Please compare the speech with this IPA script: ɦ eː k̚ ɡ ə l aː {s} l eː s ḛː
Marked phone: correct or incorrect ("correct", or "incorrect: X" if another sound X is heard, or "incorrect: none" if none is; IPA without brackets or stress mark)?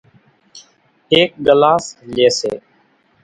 correct